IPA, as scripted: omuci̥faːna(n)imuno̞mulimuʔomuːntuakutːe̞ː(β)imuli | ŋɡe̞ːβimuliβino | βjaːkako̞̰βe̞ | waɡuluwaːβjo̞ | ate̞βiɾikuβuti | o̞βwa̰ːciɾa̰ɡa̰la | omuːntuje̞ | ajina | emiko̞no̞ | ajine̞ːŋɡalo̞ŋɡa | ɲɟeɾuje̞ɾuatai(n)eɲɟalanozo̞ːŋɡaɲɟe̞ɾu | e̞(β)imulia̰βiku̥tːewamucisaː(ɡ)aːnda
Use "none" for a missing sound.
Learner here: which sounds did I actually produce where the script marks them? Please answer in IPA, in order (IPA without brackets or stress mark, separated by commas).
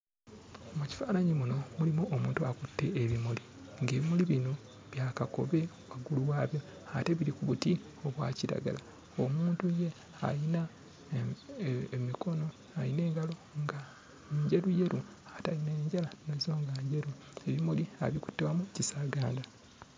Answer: ɲ, β, n, β, ɡ